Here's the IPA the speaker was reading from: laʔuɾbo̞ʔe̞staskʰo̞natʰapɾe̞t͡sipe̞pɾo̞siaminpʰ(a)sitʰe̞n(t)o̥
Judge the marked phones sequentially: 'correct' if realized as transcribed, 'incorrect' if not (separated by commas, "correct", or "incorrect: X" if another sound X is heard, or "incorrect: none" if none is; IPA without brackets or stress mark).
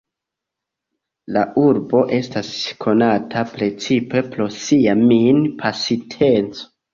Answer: correct, incorrect: t͡s